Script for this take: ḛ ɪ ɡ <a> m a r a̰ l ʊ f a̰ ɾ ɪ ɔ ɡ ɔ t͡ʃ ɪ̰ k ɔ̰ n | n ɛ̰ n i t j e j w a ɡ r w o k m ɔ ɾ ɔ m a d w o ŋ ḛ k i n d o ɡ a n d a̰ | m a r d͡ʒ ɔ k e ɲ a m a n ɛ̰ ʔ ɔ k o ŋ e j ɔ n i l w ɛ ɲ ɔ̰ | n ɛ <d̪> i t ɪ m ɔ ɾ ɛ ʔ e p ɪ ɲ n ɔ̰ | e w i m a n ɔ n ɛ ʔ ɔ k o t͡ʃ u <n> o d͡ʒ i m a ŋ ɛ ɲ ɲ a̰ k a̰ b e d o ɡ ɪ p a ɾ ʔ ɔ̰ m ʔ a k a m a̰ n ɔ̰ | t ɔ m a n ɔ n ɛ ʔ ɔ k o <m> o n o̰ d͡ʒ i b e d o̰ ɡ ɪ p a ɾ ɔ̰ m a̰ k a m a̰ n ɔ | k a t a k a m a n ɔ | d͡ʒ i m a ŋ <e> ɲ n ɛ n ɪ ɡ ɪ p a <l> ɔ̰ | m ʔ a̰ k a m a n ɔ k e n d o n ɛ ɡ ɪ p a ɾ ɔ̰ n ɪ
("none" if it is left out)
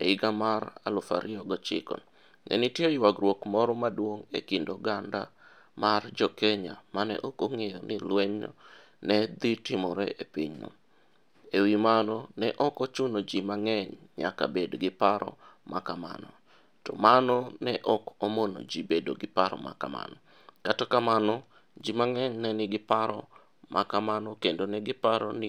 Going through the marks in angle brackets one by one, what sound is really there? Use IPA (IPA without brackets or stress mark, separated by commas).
a, d̪, n, m, ɛ, ɾ